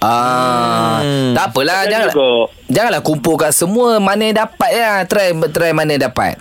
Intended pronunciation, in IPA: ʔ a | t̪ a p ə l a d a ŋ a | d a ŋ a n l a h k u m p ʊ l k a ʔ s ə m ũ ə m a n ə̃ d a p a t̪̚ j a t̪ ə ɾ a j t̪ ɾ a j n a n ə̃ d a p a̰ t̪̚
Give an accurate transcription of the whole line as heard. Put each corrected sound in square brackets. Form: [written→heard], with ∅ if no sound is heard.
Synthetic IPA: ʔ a | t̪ a p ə l a [d→d͡ʒ] a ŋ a | [d→d͡ʒ] a ŋ a n l a h k u m p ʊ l k a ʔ s ə m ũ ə m a n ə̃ d a p a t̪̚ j a t̪ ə ɾ a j t̪ ɾ a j [n→m] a n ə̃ d a p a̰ t̪̚